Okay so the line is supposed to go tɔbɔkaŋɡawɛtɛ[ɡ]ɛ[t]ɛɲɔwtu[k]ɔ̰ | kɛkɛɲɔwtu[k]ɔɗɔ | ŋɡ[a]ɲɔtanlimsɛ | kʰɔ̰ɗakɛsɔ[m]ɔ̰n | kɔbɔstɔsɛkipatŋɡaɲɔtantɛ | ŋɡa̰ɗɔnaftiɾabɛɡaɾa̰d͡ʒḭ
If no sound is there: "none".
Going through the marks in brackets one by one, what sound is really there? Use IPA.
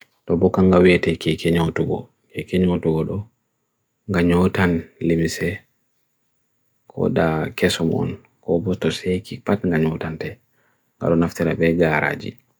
k, k, ɡ, ɡ, a, m

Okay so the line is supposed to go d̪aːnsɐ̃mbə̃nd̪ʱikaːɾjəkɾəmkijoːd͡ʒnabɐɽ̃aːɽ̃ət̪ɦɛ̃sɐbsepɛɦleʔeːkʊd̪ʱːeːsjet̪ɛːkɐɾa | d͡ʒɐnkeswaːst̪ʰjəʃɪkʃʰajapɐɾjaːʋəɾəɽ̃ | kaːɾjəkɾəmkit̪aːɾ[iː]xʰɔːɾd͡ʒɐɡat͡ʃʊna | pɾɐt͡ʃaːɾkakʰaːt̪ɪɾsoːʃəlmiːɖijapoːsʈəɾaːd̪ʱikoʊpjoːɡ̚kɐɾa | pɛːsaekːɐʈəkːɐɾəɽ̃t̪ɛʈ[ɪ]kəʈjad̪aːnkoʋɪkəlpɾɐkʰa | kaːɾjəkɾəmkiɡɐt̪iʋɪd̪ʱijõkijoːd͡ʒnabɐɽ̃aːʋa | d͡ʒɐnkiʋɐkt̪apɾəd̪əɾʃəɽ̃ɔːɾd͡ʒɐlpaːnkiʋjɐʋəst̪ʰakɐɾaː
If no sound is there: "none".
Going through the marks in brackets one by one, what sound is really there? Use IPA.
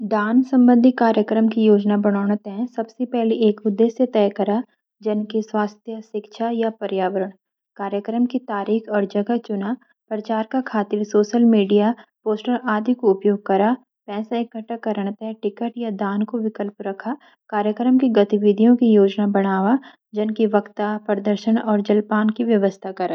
iː, ɪ

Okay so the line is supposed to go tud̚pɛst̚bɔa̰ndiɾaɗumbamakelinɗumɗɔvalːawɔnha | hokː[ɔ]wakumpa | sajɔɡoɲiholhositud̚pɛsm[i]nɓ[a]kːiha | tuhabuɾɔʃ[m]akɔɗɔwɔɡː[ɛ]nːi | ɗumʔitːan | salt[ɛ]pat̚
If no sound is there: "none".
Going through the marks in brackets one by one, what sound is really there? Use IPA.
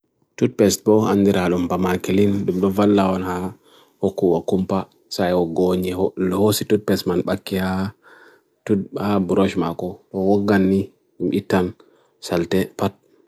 u, a, a, m, a, ɛ

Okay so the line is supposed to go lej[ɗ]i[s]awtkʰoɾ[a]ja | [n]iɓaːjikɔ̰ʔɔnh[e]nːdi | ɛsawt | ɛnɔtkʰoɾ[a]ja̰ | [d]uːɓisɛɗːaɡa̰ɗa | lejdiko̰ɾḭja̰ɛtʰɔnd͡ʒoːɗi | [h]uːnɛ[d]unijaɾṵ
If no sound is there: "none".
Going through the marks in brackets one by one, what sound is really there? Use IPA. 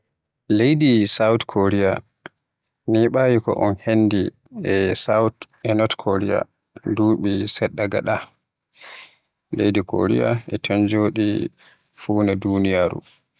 d, s, i, n, e, i, d, f, d

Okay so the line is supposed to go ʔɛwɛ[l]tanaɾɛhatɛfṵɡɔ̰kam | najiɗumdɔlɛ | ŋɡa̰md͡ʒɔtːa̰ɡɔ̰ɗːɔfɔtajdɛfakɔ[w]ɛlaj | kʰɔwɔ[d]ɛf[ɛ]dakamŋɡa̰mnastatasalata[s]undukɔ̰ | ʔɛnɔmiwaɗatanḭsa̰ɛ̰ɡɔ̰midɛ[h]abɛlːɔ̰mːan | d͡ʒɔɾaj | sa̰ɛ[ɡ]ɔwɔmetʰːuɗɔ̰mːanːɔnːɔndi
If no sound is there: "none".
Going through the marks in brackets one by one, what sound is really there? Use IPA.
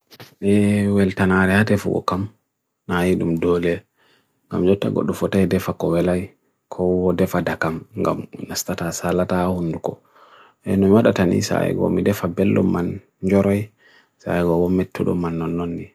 l, w, d, a, h, f, ɡ

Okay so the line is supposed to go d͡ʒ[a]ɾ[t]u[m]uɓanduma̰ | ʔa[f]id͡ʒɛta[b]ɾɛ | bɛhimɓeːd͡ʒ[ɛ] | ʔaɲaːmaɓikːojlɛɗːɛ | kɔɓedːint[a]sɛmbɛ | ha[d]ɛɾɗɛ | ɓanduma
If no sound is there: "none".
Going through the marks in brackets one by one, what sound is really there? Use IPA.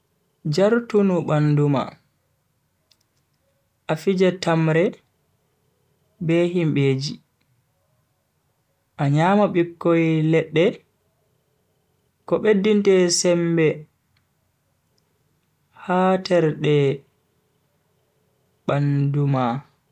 a, t, n, f, m, i, ɛ, t

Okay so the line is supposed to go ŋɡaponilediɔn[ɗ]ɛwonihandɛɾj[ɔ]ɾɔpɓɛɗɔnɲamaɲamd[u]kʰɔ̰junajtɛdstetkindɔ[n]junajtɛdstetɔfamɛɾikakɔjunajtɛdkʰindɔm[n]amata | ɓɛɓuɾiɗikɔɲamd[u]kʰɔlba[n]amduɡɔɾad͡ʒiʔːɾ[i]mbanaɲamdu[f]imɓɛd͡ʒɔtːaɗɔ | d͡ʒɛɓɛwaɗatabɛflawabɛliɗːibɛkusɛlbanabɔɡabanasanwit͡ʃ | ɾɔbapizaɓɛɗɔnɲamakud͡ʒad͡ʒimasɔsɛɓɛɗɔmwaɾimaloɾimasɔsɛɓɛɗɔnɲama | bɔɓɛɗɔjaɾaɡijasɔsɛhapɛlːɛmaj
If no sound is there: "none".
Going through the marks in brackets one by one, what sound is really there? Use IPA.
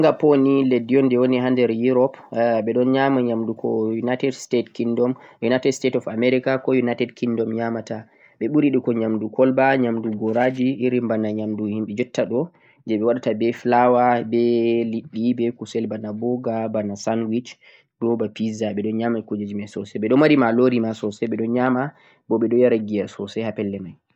d, u, u, m, ɲ, u, ɲ, i, h

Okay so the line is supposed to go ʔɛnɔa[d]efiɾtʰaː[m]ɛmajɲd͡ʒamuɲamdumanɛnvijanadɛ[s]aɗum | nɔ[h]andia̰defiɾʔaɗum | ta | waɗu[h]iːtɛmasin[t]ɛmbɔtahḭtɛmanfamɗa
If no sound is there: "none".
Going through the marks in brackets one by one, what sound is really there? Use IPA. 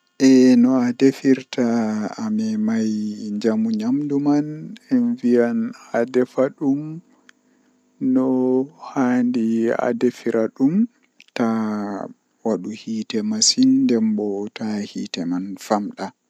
d, m, f, h, h, d

